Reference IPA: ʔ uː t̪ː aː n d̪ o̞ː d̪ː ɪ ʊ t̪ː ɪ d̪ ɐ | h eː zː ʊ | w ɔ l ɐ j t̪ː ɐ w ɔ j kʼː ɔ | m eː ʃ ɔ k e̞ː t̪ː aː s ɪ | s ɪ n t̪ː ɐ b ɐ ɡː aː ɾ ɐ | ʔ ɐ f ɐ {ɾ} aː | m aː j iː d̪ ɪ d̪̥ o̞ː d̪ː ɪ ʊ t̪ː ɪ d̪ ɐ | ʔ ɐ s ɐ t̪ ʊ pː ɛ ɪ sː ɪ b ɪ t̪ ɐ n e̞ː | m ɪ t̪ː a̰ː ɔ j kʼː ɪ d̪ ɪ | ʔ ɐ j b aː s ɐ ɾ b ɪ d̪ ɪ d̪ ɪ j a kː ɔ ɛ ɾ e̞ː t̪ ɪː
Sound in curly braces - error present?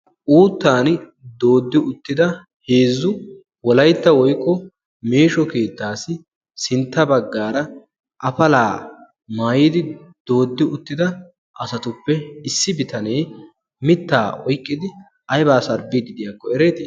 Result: yes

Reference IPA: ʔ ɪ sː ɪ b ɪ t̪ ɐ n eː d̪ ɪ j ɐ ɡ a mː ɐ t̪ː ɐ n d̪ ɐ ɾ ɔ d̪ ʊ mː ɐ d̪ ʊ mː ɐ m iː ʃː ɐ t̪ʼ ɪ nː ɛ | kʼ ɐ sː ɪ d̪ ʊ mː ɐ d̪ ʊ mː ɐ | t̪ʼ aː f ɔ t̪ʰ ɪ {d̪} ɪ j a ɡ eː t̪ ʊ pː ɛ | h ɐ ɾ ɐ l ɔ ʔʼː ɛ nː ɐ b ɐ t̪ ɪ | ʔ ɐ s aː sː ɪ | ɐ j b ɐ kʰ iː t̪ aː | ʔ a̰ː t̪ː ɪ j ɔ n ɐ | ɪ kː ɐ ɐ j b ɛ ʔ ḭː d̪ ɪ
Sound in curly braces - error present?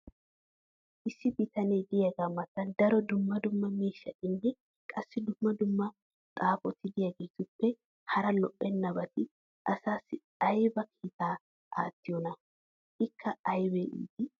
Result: no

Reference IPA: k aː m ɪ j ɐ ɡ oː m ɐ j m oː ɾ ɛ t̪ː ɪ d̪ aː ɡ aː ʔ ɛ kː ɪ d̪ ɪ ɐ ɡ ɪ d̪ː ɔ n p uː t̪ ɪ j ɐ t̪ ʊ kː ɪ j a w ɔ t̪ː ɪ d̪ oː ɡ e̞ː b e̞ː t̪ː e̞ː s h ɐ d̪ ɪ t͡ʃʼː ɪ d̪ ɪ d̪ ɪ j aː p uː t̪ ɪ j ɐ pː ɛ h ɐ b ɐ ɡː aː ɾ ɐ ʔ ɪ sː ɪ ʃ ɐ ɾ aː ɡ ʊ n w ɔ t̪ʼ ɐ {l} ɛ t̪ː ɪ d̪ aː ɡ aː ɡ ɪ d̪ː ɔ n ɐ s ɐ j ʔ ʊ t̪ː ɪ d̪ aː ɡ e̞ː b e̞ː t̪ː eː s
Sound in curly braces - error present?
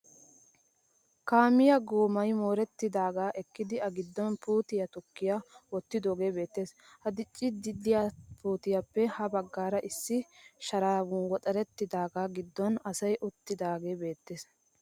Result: yes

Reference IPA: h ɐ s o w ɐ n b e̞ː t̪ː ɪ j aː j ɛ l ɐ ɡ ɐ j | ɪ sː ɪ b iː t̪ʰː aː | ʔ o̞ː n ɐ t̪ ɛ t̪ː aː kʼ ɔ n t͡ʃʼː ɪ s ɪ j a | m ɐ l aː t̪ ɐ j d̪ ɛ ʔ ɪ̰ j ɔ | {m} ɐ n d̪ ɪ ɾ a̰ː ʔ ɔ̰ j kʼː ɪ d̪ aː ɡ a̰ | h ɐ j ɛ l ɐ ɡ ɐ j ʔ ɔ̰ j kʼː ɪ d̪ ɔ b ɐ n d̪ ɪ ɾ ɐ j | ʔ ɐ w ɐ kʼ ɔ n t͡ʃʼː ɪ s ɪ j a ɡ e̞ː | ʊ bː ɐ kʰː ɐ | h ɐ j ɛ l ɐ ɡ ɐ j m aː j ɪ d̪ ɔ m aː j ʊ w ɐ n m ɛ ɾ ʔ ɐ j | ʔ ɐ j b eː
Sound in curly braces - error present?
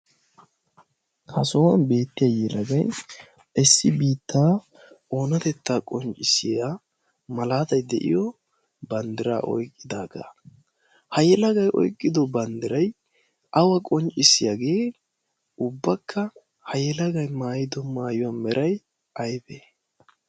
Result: yes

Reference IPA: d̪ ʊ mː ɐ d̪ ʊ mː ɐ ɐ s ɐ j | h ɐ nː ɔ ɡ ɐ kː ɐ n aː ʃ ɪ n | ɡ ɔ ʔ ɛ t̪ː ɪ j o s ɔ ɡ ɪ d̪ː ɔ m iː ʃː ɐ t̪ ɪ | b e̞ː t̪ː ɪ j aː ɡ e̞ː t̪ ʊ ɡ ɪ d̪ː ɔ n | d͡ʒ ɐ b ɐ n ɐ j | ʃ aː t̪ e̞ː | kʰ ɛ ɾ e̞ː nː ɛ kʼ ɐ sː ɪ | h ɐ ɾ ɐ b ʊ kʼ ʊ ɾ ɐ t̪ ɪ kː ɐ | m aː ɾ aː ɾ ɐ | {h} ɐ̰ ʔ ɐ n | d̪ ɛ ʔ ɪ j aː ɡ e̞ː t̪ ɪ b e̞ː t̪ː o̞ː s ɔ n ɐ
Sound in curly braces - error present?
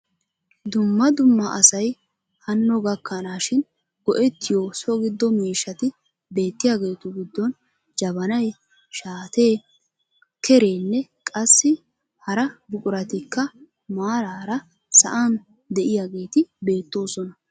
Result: yes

